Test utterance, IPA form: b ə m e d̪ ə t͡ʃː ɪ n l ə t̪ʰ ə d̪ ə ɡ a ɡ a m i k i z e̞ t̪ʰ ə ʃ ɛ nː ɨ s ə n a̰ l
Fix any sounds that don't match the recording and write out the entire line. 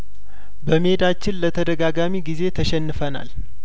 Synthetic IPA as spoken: b ə m e d̪ a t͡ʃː ɪ n l ə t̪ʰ ə d̪ ə ɡ a ɡ a m i ɡ i z e̞ t̪ʰ ə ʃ ɛ nː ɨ f ə n a̰ l